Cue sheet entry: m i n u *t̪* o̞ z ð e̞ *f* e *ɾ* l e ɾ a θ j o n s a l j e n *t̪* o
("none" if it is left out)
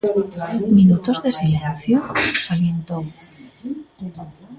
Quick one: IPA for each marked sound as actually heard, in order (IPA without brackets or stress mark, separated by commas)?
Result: t̪, s, none, t̪